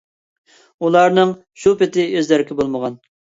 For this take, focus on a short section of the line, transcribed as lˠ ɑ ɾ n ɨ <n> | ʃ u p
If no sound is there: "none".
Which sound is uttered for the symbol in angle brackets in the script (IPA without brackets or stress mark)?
ŋ